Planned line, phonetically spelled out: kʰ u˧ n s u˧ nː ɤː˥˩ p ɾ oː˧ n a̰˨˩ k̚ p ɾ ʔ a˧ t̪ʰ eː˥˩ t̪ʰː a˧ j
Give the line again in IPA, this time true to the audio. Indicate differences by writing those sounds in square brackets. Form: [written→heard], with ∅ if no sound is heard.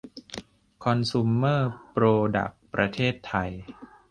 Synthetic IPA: kʰ [u˧→ɔ˧] n s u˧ [nː→mː] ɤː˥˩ p ɾ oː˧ [n→d] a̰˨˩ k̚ p ɾ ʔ a˧ t̪ʰ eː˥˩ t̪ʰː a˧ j